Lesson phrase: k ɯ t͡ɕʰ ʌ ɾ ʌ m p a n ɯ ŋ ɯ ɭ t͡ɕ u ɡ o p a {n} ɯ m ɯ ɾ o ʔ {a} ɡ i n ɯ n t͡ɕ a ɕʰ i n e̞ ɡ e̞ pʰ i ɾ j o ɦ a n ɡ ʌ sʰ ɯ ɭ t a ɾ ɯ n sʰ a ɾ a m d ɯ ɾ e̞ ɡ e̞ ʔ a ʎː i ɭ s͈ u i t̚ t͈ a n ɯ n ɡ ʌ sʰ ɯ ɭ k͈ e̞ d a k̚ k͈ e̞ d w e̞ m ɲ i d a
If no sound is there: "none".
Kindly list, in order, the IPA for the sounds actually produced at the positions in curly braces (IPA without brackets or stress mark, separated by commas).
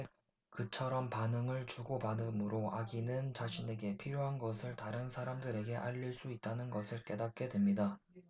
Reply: n, a